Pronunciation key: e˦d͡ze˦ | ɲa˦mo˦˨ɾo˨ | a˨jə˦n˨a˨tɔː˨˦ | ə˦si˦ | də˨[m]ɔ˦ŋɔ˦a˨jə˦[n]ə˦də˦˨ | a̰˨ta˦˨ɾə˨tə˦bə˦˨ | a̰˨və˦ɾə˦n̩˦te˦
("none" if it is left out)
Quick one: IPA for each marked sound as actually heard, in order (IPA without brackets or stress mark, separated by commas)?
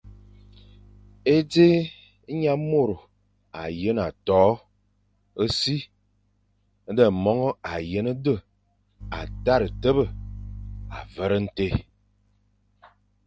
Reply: m, n